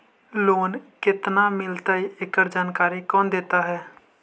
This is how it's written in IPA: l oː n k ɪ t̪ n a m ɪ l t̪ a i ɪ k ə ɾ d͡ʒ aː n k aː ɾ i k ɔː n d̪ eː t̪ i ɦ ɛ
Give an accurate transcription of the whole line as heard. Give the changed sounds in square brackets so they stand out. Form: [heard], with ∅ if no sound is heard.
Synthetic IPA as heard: l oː n k ɪ t̪ n a m ɪ l t̪ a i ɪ k ə ɾ d͡ʒ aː n k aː ɾ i k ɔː n d̪ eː t̪ [a] ɦ [ɛː]